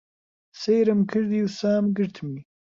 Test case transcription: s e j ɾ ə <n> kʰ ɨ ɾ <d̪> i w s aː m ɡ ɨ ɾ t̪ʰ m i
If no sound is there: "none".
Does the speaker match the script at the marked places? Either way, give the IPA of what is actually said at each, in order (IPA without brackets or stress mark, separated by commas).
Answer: m, d̪